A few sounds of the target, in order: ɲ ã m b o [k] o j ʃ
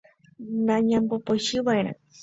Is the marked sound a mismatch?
yes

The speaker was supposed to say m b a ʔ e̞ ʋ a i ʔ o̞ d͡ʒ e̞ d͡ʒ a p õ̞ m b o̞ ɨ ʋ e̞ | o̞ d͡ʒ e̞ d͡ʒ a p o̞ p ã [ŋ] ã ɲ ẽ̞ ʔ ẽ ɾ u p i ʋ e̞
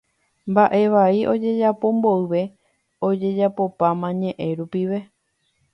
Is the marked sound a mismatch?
yes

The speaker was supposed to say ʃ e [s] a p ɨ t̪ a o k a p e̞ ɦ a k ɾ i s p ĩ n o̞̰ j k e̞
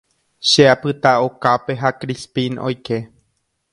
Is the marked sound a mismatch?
yes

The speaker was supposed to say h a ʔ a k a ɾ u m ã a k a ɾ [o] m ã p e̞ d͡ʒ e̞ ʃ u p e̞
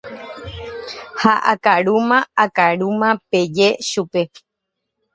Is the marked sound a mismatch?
yes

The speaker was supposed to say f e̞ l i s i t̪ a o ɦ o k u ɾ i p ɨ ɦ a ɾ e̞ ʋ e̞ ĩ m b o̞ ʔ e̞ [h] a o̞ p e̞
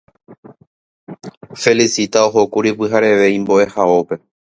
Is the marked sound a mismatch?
no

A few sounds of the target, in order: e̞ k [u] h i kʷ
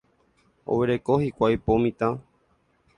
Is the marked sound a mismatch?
yes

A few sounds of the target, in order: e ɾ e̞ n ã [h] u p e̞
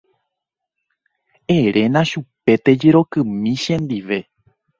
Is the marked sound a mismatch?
yes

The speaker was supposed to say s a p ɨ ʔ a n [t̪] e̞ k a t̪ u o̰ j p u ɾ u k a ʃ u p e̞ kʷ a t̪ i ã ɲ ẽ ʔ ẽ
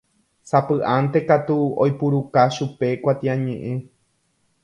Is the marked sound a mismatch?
no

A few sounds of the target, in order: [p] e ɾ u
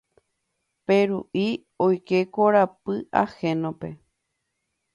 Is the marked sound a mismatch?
no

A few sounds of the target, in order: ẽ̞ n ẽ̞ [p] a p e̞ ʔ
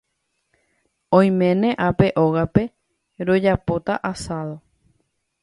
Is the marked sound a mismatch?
yes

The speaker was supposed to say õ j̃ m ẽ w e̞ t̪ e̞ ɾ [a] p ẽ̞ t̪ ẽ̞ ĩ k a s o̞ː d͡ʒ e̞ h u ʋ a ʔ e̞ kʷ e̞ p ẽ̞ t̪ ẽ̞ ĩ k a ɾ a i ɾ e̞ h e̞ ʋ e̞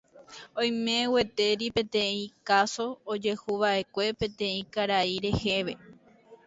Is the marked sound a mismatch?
yes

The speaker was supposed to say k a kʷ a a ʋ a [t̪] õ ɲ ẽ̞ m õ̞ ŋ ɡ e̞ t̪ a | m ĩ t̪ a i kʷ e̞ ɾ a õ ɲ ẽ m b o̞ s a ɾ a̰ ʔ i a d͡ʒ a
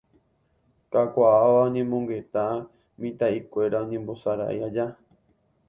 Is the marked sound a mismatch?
yes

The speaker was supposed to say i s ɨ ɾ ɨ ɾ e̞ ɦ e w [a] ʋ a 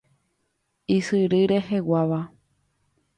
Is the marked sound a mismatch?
no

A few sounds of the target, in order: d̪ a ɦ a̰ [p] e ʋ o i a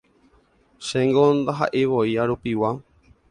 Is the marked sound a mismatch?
yes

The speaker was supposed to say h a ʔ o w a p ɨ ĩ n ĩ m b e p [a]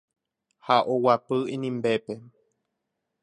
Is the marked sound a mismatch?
yes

